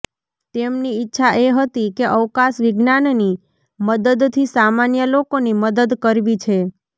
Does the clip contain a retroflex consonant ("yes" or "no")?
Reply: no